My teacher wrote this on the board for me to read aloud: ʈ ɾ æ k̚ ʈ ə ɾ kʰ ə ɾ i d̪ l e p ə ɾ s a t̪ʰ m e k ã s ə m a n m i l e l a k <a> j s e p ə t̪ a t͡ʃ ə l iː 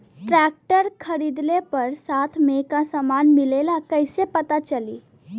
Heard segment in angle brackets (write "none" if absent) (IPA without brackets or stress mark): ə